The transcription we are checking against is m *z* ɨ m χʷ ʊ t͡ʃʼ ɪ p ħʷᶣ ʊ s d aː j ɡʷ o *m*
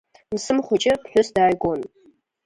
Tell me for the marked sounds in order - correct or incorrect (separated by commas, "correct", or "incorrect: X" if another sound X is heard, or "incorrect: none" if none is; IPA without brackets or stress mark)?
incorrect: s, incorrect: n